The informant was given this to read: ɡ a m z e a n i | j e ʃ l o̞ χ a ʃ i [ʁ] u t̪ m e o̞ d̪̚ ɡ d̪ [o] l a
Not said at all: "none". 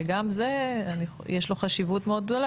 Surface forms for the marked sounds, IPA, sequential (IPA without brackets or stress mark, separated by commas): v, o